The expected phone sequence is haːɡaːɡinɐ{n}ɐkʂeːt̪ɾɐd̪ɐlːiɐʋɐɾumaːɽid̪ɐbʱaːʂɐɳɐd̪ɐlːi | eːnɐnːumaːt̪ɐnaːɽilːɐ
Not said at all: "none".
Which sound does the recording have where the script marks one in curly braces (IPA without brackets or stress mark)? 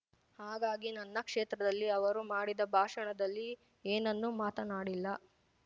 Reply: nː